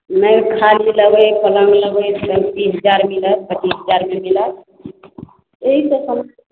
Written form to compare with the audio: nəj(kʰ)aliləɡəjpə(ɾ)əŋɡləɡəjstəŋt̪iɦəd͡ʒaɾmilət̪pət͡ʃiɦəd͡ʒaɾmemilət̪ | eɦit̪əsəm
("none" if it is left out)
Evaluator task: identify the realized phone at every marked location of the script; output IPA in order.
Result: kʰ, l

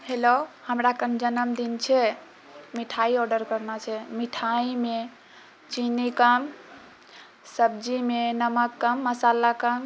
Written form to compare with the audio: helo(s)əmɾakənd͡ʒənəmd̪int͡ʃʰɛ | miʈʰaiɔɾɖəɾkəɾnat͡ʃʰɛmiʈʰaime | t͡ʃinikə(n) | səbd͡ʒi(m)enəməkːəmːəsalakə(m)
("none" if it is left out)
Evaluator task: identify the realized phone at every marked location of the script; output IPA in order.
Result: h, m, m, m

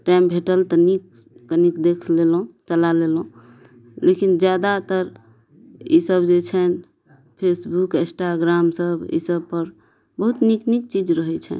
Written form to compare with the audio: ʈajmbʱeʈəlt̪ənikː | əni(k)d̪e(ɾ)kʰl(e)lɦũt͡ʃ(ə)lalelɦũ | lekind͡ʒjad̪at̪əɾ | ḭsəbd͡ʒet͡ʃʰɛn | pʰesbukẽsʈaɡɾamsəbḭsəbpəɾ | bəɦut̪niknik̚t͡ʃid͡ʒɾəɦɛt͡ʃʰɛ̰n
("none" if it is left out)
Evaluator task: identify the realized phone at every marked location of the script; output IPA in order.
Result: k, none, e, ə

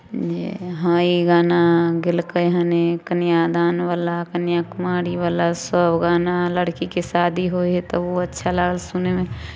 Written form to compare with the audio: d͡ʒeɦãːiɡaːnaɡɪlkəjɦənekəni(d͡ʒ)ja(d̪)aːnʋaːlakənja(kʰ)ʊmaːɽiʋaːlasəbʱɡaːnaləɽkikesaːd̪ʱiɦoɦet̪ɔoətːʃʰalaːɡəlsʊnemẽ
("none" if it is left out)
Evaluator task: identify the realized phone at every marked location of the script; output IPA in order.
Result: none, d̪, k

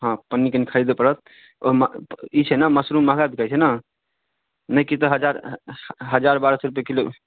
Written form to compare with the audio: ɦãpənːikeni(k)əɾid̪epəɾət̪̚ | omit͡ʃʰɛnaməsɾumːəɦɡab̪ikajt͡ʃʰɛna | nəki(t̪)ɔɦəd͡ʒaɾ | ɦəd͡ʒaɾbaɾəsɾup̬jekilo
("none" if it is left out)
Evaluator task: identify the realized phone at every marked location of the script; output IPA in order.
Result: kʰ, t̪

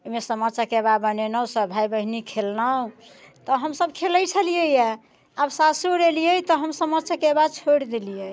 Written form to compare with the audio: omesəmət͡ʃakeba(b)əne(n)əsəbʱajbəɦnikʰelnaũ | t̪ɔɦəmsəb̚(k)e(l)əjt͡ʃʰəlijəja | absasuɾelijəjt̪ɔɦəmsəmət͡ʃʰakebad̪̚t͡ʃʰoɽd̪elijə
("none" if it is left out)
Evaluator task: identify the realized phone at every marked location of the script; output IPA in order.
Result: b, n, kʰ, l

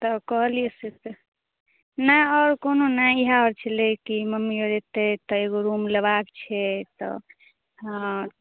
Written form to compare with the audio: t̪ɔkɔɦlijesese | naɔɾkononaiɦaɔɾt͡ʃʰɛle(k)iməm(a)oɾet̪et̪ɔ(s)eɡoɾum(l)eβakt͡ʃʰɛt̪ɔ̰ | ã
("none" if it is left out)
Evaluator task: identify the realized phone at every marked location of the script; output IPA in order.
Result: k, i, none, l

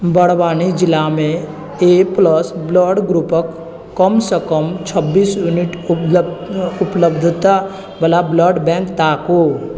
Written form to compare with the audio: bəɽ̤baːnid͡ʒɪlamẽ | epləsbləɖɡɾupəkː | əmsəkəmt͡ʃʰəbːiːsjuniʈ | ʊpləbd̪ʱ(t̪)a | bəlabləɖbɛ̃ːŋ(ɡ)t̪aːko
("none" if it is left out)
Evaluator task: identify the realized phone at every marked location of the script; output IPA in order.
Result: t̪, k

